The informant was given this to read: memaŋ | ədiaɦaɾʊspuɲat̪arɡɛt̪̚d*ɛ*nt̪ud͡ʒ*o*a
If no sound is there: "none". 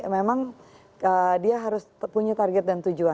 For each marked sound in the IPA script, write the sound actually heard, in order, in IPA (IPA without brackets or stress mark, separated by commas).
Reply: a, u